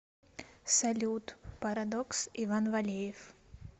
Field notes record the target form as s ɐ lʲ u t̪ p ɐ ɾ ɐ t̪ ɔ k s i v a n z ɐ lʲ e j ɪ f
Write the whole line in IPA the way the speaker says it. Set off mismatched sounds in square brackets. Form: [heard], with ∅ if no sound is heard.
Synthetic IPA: s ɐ lʲ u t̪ p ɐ ɾ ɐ [d̪] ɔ k s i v a n [v] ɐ lʲ e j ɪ f